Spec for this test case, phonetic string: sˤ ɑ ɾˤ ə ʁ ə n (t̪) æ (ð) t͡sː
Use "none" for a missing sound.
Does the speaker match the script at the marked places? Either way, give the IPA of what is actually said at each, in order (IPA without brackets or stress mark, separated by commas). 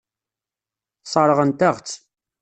t̪, ʁ